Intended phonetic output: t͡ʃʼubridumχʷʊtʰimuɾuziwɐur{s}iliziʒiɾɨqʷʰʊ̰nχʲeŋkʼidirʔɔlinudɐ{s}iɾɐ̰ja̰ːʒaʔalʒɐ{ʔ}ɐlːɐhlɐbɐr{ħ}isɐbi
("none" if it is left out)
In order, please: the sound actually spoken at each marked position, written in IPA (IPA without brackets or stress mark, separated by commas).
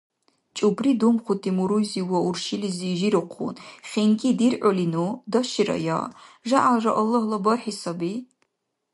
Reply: ʃ, ʃ, ʔ, ħ